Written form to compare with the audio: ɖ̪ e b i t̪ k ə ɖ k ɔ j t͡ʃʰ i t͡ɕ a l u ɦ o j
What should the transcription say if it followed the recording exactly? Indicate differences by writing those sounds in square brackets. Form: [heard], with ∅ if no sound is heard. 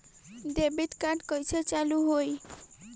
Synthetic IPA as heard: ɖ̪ e b i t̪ k [a] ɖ k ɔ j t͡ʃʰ [e] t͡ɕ a l u ɦ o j